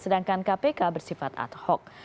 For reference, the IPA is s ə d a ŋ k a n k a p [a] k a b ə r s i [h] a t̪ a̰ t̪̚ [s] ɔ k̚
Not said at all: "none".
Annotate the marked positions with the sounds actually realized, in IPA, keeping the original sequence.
e, f, h

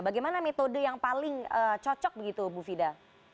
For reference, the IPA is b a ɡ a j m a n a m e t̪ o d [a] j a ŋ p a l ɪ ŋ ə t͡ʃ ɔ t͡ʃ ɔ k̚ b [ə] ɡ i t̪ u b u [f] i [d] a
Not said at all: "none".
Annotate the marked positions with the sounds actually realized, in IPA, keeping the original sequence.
ə, ə, f, d

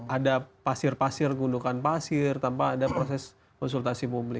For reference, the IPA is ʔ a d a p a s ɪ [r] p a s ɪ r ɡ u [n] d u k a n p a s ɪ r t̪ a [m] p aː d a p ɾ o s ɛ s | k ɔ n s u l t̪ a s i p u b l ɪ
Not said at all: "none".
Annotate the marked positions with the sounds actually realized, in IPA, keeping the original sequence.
r, n, m

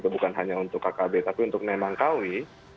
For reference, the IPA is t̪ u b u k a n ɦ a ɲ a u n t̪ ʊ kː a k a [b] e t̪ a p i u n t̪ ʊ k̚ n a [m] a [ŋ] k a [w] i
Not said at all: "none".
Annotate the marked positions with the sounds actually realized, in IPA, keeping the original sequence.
b, m, ŋ, w

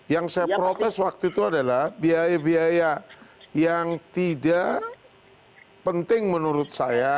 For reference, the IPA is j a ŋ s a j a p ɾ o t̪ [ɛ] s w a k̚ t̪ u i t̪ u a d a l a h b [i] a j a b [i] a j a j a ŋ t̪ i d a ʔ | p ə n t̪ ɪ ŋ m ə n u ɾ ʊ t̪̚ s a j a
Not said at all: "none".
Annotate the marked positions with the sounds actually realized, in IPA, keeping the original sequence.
ɛ, i, i

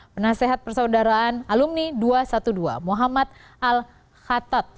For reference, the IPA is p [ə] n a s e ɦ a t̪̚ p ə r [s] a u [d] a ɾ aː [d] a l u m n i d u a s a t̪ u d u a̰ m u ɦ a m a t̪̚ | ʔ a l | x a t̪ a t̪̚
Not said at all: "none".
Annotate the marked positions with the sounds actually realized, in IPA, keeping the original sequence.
ə, s, d, n

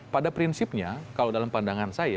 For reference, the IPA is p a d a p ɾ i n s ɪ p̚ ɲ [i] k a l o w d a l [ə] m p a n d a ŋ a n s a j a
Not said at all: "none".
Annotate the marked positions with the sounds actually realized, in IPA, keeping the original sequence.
a, a

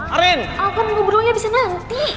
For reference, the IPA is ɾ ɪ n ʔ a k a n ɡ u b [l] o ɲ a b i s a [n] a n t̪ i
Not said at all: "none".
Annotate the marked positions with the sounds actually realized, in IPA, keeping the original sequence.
ɾ, n

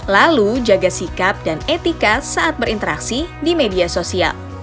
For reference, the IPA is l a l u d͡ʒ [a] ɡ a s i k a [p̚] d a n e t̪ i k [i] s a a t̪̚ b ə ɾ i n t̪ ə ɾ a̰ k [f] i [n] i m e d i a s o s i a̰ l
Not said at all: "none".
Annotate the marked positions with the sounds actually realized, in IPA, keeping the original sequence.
a, p̚, a, s, d

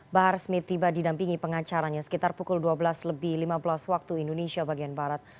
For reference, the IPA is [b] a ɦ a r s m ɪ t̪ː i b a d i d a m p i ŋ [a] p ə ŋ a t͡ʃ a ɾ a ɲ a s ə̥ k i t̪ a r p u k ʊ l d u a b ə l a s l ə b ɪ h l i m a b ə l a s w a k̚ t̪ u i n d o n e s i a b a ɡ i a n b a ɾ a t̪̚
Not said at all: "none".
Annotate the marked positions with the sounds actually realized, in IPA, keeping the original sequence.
b, i

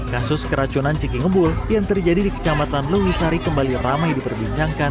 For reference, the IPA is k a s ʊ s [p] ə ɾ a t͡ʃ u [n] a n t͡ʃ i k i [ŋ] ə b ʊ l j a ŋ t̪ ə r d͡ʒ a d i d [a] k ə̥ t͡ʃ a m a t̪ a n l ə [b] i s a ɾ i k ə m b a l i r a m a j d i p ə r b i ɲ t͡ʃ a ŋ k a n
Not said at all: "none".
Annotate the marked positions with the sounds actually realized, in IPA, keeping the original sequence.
k, n, ŋ, i, w

